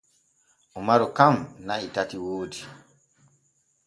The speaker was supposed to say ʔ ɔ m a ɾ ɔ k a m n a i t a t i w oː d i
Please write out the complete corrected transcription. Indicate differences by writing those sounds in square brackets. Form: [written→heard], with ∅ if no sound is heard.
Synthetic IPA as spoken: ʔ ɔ m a ɾ ɔ k a m n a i t a t i w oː d i

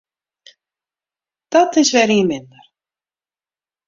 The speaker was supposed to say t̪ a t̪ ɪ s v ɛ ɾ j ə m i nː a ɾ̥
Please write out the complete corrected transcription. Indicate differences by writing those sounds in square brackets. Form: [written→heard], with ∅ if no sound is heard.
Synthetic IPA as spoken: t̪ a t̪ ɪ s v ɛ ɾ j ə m [i→ɪ] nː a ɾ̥

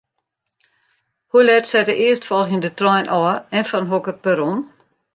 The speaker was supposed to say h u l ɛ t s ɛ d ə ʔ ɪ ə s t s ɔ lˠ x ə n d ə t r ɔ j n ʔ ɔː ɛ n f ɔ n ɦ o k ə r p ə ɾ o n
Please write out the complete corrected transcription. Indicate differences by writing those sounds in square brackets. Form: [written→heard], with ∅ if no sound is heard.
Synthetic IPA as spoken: h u l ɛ t s ɛ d ə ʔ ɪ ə s t [s→f] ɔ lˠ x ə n d ə t r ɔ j n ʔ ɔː ɛ n f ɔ n ɦ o k ə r p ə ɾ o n

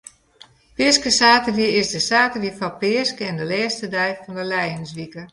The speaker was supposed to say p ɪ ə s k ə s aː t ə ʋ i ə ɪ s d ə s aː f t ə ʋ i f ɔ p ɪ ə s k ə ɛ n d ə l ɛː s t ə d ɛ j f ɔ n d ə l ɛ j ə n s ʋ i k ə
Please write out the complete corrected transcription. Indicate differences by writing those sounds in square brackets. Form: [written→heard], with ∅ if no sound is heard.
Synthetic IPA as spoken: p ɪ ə s k ə s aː t ə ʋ i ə ɪ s d ə s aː [f→∅] t ə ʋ i f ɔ p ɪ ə s k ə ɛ n d ə l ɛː s t ə d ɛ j f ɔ n d ə l ɛ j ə n s ʋ i k ə

